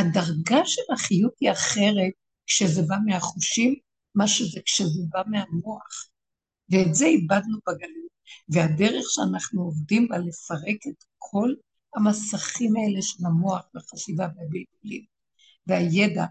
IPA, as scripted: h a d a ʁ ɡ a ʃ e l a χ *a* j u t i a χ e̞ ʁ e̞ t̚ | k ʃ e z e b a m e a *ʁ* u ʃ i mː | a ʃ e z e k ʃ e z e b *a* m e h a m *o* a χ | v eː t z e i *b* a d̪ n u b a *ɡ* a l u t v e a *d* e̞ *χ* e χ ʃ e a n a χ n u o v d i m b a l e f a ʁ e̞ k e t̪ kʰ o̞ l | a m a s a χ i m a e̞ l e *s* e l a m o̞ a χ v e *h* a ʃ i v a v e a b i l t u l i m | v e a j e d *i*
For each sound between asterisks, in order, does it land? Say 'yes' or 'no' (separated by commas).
no, no, yes, yes, yes, yes, yes, no, no, no, no